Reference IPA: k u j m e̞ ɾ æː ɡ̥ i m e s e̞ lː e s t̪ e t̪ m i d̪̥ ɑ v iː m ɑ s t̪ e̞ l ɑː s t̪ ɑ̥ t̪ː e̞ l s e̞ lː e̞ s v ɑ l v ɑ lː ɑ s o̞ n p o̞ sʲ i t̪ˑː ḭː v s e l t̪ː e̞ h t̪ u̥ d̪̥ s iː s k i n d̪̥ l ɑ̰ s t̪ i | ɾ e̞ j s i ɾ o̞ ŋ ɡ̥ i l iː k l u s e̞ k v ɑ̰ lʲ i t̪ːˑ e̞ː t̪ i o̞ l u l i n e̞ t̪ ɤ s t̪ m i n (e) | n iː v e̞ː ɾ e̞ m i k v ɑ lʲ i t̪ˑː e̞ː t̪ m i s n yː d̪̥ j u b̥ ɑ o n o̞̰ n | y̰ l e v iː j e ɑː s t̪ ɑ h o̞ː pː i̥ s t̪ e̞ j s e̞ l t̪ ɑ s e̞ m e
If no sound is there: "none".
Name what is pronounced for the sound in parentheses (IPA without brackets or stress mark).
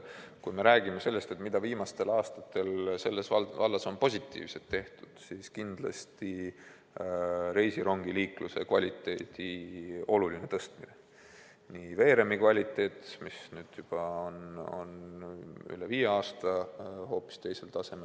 e